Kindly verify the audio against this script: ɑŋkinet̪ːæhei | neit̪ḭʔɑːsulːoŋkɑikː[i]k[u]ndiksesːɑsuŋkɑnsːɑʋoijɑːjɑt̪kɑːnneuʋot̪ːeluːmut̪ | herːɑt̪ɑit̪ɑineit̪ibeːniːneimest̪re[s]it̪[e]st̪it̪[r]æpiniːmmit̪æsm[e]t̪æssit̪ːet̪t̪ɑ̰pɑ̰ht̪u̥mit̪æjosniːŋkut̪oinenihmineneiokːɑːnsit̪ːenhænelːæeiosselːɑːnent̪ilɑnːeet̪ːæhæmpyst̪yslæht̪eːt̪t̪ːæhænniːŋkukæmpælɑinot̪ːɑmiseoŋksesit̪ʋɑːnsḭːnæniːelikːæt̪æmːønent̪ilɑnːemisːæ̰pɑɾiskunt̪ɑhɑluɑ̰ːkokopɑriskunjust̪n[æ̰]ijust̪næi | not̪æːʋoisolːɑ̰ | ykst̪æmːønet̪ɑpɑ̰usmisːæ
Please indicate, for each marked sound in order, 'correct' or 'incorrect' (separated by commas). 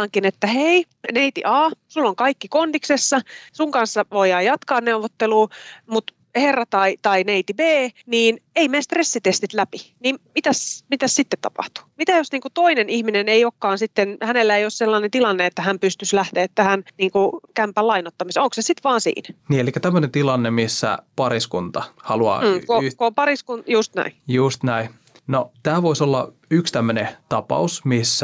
correct, incorrect, incorrect, correct, incorrect, incorrect, correct